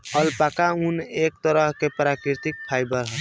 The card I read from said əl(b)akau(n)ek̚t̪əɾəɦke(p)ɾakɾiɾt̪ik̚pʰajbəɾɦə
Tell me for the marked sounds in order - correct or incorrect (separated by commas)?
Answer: incorrect, correct, correct